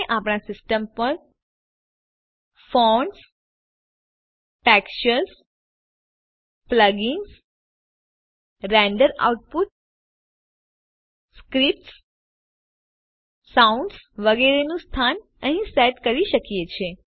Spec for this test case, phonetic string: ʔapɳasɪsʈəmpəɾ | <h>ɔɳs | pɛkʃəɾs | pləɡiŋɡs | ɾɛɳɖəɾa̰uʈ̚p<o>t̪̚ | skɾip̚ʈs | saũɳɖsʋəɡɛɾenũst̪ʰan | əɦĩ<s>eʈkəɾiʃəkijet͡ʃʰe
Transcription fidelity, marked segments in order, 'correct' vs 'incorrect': incorrect, incorrect, correct

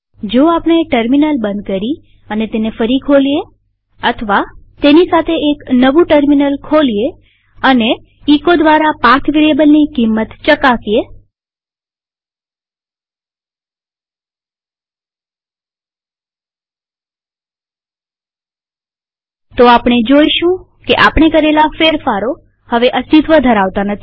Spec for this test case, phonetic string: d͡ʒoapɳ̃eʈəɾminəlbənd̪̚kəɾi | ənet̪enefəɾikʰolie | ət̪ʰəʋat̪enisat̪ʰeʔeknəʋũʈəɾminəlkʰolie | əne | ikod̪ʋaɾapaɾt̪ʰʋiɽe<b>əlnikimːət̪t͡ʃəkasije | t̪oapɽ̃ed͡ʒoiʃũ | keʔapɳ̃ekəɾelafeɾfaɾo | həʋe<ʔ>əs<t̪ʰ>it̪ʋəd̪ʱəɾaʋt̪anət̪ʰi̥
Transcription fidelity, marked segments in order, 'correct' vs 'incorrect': correct, correct, incorrect

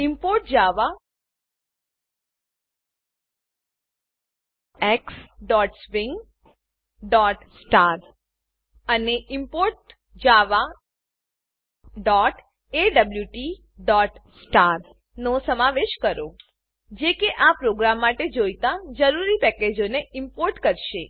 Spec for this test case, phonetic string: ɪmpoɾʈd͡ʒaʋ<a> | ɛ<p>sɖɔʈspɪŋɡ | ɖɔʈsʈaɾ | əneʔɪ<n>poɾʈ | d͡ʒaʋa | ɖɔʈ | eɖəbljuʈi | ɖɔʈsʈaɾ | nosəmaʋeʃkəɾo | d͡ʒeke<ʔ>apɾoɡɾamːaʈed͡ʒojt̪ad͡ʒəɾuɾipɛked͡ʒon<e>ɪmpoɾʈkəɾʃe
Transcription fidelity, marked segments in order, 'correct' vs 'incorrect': correct, incorrect, incorrect, correct, correct

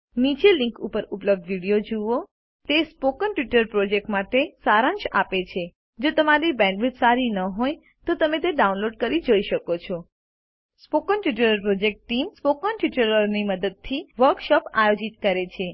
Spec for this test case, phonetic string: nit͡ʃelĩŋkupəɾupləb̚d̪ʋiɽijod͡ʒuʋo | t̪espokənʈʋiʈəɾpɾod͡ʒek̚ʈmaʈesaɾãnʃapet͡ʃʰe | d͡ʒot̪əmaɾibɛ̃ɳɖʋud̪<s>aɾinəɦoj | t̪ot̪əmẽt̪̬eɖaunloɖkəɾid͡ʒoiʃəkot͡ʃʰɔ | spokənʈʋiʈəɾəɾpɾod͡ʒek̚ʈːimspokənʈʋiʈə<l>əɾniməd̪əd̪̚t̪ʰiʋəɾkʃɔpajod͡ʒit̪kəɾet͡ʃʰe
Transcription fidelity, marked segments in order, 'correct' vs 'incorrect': correct, incorrect

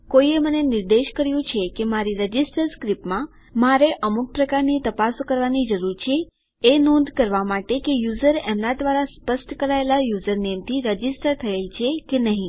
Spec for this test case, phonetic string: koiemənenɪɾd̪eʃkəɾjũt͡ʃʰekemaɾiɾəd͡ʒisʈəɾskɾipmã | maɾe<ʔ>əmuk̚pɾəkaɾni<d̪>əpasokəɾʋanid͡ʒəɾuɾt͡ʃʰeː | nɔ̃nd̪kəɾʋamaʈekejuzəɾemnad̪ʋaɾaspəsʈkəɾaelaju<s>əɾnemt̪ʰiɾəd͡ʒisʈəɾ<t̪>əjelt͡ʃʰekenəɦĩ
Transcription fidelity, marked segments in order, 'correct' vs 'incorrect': correct, incorrect, incorrect, incorrect

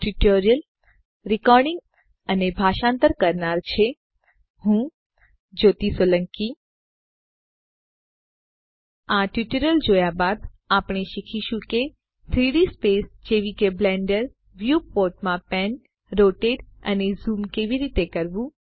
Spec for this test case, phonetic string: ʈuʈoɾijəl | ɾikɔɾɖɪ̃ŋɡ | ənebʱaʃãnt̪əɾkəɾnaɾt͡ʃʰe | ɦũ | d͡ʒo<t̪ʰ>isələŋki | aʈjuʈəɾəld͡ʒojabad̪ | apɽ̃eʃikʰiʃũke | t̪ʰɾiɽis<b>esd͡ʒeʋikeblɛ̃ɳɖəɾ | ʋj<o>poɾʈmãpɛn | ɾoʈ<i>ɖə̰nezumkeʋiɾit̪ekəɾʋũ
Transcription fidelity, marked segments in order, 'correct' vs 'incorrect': incorrect, incorrect, incorrect, incorrect

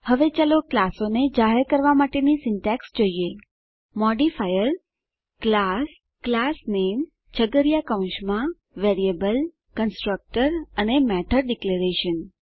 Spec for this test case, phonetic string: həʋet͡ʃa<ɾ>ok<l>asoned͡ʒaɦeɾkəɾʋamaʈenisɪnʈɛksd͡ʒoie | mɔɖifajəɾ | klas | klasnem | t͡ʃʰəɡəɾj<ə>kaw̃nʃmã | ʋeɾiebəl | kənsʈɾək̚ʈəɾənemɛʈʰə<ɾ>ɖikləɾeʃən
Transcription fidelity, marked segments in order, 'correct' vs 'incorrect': incorrect, correct, incorrect, correct

